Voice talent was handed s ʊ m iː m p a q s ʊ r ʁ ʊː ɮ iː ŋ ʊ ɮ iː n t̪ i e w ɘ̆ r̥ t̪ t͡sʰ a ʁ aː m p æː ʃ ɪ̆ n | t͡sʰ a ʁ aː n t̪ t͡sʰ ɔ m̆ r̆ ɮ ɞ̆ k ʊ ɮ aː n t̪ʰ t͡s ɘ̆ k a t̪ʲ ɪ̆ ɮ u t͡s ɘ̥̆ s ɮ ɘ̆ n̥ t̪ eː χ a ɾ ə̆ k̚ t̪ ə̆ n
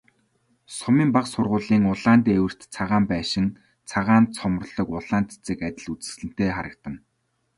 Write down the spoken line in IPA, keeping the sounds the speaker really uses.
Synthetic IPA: s ʊ m iː m p a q s ʊ r ʁ ʊː ɮ iː ŋ ʊ ɮ aː n t̪ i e w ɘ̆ r̥ t̪ t͡sʰ a ʁ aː m p æː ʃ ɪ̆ n | t͡sʰ a ʁ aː n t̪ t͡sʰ ɔ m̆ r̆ ɮ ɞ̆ k ʊ ɮ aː n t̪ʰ t͡s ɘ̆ k a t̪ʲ ɪ̆ ɮ u t͡s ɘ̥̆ s ɮ ɘ̆ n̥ t̪ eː χ a ɾ ə̆ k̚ t̪ ə̆ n